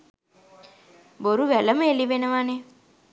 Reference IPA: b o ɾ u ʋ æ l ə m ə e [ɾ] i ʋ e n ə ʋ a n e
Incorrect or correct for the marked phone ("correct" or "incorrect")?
incorrect